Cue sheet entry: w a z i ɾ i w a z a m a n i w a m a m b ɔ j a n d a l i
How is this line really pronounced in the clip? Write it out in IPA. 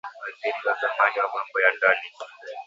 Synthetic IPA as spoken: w a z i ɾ i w a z a m a n i w a m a m b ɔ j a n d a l i